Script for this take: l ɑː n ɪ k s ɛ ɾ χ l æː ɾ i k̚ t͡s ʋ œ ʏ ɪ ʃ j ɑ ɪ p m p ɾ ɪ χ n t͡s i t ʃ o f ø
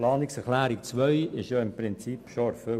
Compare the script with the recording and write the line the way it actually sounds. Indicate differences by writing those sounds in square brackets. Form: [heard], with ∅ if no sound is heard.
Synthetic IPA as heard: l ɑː n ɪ k s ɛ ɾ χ l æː ɾ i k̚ t͡s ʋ œ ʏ ɪ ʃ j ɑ ɪ [∅] m p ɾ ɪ [∅] n t͡s i [p] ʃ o f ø